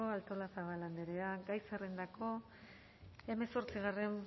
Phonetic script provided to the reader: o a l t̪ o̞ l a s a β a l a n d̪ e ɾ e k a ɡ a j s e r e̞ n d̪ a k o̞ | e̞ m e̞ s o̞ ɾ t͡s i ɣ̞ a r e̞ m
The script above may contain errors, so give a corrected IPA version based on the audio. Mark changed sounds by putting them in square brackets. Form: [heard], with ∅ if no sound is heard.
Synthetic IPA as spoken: o a l t̪ o̞ l a s a β a l a n d̪ e ɾ e [∅] a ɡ a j s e r e̞ n d̪ a k o̞ | e̞ m e̞ s o̞ ɾ t͡s i ɣ̞ a r e̞ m